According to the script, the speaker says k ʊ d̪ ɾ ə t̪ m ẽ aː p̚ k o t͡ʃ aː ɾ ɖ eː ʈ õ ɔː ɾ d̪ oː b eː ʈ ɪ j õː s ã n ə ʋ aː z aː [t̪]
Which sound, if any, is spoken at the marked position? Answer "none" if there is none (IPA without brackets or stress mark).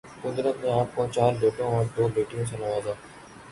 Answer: none